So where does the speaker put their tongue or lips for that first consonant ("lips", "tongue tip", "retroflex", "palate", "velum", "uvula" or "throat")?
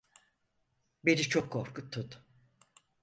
lips